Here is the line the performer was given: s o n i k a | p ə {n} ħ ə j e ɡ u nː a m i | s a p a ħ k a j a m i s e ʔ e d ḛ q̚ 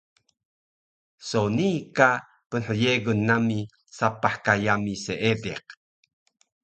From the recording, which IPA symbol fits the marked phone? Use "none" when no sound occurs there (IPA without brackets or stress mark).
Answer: n